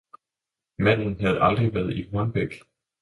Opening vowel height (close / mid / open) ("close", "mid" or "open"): open